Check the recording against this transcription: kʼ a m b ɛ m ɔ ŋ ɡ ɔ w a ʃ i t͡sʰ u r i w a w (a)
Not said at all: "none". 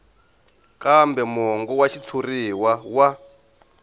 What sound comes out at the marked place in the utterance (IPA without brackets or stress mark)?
a